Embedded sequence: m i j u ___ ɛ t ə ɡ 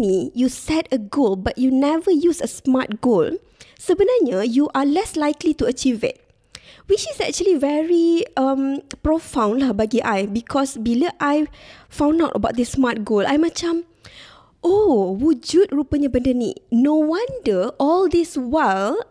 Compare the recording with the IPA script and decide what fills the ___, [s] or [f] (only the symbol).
s